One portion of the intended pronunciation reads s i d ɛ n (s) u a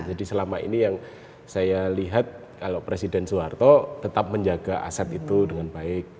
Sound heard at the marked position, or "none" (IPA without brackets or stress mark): s